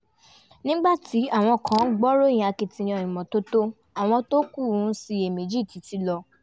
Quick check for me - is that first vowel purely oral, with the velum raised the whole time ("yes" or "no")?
no